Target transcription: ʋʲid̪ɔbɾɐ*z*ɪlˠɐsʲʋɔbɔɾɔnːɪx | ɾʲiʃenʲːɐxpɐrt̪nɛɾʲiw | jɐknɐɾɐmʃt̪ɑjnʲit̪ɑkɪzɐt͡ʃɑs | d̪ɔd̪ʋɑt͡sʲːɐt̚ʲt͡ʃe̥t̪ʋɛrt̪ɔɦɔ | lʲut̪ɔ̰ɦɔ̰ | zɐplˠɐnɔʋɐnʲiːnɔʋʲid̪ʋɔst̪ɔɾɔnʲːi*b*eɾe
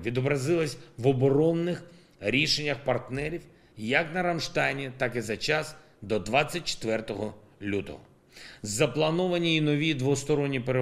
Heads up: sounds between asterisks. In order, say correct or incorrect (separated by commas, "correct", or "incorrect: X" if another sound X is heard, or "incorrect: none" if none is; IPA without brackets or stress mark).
correct, incorrect: p